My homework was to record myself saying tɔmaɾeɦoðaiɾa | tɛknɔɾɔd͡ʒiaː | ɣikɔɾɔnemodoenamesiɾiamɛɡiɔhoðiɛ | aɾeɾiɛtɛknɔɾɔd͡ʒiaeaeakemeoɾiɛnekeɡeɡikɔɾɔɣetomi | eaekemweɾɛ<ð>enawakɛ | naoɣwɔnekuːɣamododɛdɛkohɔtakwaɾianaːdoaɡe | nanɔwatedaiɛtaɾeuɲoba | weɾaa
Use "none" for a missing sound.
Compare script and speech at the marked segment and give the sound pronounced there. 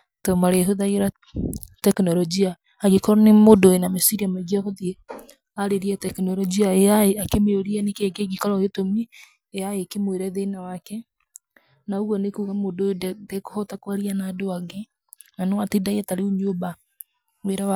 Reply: ð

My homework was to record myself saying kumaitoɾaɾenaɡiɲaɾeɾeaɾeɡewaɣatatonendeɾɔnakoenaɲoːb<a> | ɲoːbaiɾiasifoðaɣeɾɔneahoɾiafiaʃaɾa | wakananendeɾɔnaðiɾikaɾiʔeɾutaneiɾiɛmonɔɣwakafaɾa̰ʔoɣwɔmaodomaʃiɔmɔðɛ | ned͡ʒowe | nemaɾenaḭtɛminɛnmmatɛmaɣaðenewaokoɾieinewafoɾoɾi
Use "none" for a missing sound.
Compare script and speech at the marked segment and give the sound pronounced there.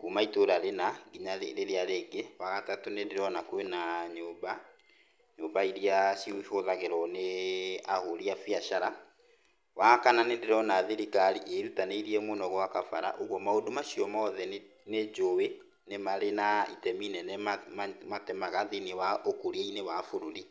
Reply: a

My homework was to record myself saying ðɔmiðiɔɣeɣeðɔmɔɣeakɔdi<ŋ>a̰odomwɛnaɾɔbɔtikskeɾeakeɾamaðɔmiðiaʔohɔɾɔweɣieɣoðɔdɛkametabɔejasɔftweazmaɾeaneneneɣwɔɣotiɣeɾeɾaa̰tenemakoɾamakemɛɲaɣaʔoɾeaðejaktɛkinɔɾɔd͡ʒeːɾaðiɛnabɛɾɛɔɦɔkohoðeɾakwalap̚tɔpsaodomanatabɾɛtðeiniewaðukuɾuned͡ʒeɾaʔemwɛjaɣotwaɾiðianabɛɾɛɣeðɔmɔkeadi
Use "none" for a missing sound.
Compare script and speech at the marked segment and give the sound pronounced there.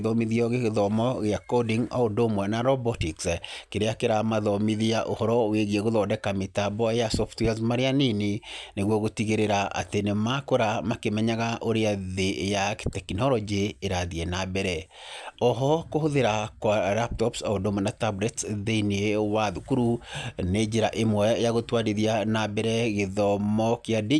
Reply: ŋ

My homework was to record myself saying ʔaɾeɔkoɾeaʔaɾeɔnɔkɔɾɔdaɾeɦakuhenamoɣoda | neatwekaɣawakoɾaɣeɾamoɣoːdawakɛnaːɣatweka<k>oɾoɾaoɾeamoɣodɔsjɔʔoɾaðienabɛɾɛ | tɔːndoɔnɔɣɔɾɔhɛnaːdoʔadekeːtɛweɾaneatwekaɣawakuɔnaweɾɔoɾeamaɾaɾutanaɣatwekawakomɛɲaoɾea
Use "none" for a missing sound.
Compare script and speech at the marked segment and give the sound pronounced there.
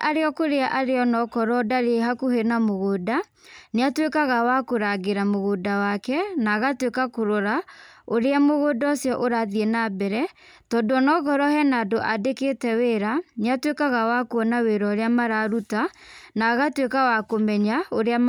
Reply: k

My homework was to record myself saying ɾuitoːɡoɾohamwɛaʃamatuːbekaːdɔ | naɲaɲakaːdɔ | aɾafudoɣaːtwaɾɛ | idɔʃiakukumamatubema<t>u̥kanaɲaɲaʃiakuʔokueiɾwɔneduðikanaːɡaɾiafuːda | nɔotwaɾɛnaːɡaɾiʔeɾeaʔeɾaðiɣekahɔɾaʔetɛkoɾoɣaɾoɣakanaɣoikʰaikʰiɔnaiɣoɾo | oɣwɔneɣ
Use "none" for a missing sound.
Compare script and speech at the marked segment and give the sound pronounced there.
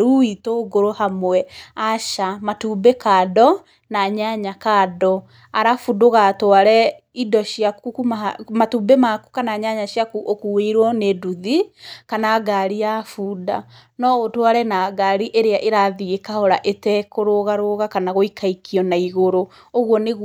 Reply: k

